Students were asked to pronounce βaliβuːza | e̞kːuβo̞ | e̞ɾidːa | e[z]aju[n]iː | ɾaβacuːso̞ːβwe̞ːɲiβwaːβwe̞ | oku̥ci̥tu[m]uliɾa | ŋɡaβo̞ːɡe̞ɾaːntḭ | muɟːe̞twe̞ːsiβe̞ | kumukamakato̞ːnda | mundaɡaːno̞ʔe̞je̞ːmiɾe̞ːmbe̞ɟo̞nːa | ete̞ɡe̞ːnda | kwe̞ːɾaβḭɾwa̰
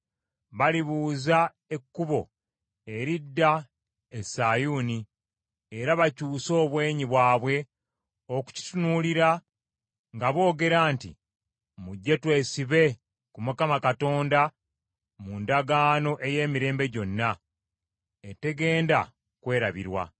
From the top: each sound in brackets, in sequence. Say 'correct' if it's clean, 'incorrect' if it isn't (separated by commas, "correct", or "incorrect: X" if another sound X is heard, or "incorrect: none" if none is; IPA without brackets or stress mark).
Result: incorrect: s, correct, incorrect: n